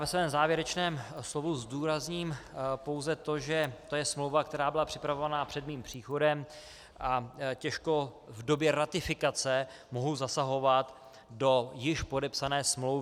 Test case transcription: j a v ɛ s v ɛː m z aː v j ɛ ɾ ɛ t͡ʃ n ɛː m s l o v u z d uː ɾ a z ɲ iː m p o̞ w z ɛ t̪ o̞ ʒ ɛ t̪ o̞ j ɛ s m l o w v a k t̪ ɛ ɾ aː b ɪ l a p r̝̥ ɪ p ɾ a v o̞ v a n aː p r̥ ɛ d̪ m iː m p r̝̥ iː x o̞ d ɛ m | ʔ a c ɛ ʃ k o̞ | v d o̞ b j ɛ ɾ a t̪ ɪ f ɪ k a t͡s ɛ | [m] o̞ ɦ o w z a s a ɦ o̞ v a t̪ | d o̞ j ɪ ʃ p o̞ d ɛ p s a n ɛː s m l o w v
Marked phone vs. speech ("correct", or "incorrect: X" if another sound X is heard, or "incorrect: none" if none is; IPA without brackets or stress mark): correct